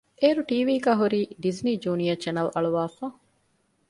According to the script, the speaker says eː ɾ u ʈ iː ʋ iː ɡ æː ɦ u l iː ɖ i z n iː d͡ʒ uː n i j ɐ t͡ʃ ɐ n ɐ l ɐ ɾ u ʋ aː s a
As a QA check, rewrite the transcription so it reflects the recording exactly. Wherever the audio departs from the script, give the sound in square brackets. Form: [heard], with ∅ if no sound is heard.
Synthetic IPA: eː ɾ u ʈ iː ʋ iː ɡ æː ɦ u [ɾ] iː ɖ i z n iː d͡ʒ uː n i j ɐ t͡ʃ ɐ n ɐ l ɐ [ɭ] u ʋ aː [f] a